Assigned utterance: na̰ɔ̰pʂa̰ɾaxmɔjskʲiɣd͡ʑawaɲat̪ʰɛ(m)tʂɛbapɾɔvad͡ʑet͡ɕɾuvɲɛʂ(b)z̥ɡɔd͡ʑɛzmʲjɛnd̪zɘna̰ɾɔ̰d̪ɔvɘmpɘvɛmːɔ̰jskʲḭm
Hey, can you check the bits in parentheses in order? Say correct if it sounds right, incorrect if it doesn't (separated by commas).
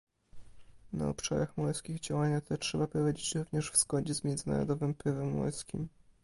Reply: incorrect, incorrect